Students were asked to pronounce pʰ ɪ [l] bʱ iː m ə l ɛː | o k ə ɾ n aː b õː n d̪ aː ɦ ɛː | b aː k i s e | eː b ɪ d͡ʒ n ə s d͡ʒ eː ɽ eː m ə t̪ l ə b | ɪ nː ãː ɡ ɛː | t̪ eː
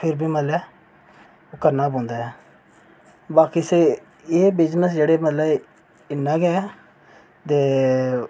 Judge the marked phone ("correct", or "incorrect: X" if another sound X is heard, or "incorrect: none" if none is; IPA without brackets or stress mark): incorrect: ɾ